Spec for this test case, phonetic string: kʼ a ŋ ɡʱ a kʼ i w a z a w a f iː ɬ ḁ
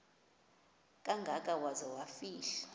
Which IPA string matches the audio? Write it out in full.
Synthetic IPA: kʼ a ŋ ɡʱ a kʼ a w a z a w a f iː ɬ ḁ